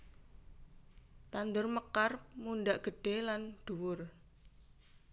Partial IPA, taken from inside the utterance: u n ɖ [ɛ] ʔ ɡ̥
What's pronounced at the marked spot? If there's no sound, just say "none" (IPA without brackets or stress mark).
a